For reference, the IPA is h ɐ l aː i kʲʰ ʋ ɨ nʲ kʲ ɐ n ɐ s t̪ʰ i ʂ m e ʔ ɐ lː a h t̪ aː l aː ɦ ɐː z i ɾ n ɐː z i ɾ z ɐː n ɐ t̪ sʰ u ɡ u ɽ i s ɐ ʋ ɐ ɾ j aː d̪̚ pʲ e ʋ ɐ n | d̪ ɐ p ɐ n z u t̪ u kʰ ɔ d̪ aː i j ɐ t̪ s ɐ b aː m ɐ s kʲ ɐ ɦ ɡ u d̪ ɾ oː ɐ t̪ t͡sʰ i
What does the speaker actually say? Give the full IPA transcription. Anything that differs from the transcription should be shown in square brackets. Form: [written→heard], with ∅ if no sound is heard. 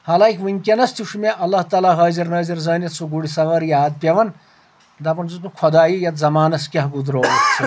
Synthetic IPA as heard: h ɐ l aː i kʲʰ ʋ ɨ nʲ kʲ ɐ n ɐ s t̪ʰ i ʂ m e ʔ ɐ lː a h t̪ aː l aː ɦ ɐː z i ɾ n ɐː z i ɾ z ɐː n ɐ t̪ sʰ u ɡ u ɽ i s ɐ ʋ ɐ ɾ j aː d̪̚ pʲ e ʋ ɐ n | d̪ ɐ p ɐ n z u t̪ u kʰ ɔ d̪ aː i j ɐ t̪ [s→z] ɐ [b→m] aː [m→n] ɐ s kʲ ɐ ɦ ɡ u d̪ ɾ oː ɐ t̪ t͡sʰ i